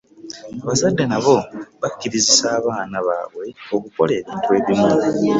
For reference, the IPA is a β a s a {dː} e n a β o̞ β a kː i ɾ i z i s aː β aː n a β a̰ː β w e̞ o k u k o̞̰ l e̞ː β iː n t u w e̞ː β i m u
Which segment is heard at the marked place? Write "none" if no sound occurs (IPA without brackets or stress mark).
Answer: dː